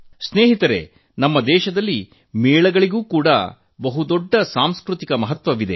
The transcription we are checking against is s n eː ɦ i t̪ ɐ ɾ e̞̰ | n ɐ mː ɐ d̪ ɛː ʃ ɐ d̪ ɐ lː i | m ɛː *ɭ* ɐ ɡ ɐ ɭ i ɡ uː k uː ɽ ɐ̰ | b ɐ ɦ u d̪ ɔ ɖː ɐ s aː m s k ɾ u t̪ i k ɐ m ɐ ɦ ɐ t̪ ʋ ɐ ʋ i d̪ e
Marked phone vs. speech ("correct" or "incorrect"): correct